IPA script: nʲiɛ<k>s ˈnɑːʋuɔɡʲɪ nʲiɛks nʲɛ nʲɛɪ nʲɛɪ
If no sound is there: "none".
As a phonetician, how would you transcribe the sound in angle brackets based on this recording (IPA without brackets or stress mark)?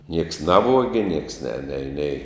k